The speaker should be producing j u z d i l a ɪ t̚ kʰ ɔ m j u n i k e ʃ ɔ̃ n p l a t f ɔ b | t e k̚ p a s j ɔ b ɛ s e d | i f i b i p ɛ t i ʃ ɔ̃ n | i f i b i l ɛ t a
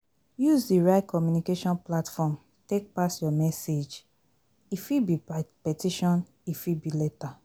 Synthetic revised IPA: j u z d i ɹ a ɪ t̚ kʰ ɔ m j u n i k e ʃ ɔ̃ n p l a t f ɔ m | t e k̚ p a s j ɔ m ɛ s e d͡ʒ | i f i b i p ɛ t i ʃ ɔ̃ n | i f i b i l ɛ t a